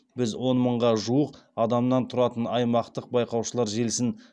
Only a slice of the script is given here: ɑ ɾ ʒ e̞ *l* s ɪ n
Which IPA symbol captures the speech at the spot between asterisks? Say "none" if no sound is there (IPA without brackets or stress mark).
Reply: l